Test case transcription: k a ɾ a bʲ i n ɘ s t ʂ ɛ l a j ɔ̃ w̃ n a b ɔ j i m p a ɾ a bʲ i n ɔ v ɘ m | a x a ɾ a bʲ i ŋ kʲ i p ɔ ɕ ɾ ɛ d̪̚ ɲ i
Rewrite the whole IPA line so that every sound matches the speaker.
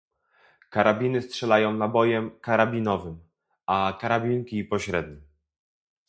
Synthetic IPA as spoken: k a ɾ a bʲ i n ɘ s t ʂ ɛ l a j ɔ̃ w̃ n a b ɔ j ɛ m k a ɾ a bʲ i n ɔ v ɘ m | a k a ɾ a bʲ i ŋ kʲ i p ɔ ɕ ɾ ɛ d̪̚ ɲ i